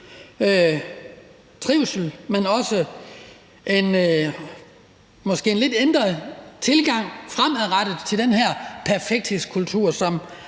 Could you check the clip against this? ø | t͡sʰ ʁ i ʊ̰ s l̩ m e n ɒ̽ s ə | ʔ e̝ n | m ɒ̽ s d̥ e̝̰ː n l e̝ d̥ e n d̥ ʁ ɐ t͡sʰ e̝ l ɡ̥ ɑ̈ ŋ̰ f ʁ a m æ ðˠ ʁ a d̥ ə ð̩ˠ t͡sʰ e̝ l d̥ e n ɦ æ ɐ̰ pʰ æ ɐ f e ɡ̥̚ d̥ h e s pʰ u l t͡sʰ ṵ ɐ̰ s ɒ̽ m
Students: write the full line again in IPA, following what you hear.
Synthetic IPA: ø | t͡sʰ ʁ i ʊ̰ s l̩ m e n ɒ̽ s ə | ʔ e̝ n | m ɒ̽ s ɡ̥ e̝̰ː n l e̝ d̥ e n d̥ ʁ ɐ t͡sʰ e̝ l ɡ̥ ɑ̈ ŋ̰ f ʁ a m æ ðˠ ʁ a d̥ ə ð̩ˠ t͡sʰ e̝ l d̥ e n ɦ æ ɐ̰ pʰ æ ɐ f e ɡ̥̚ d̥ h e s kʰ u l t͡sʰ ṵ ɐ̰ s ɒ̽ m